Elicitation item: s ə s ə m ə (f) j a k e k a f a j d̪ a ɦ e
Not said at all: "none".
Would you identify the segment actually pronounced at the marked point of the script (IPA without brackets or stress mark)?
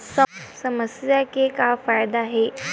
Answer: s